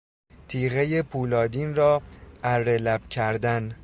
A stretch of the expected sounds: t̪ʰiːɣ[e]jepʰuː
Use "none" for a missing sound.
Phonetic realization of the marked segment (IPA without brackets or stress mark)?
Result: e